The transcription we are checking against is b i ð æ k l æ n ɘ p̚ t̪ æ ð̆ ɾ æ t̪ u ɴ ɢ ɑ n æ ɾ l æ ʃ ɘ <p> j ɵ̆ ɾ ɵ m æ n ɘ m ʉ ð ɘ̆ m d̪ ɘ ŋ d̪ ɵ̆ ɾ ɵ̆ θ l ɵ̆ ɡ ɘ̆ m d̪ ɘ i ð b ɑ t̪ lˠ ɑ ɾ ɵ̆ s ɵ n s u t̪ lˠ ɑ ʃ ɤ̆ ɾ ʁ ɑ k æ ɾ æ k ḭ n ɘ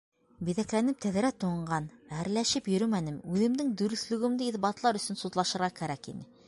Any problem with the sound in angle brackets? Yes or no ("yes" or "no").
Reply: no